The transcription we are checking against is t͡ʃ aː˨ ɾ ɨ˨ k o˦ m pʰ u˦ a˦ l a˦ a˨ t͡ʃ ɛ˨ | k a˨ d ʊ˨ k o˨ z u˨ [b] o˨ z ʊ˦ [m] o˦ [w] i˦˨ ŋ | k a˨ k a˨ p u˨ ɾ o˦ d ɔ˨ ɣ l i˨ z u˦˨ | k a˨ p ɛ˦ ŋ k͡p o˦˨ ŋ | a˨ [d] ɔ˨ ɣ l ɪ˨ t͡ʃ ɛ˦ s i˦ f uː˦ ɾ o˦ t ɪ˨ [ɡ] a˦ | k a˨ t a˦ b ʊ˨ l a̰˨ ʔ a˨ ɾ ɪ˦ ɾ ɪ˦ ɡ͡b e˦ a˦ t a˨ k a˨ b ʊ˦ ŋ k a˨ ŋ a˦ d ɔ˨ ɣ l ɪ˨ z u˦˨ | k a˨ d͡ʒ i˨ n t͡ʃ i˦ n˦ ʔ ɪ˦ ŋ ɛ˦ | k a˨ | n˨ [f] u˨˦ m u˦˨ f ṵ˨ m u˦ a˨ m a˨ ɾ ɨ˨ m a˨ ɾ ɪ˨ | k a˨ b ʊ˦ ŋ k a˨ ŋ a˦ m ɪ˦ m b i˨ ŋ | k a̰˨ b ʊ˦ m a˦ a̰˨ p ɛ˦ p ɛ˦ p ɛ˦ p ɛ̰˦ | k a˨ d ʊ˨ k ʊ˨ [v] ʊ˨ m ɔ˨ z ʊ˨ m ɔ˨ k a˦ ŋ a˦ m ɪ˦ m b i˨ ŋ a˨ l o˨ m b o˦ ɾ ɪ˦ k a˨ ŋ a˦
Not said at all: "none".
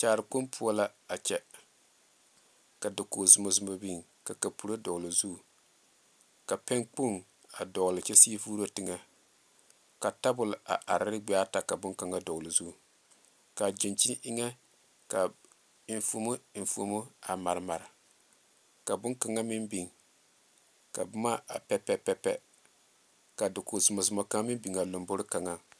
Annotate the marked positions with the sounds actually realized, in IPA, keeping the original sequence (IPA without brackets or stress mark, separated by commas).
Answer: m, m, b, d, ŋ, f, z